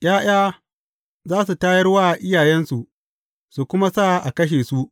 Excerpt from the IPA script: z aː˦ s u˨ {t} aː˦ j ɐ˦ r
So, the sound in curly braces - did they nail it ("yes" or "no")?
yes